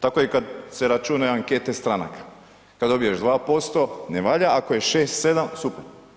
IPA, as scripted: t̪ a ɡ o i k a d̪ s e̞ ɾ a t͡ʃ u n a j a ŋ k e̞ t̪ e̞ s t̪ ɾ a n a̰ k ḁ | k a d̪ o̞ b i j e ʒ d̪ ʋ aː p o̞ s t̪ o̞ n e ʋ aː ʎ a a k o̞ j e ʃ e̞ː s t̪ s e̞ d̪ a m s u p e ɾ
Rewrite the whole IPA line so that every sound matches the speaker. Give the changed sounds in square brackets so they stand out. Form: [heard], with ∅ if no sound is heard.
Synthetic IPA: t̪ a [k] o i k a d̪ s e̞ ɾ a t͡ʃ u n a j a ŋ k e̞ t̪ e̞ s t̪ ɾ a n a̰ k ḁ | k a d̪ o̞ b i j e ʒ d̪ ʋ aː p o̞ s t̪ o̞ n e ʋ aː ʎ a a k o̞ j e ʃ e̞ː s t̪ s e̞ d̪ a m s u p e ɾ